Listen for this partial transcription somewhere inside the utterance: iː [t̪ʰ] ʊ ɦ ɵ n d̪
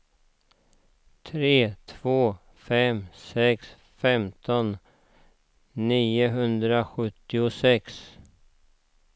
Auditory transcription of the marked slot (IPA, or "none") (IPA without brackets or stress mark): none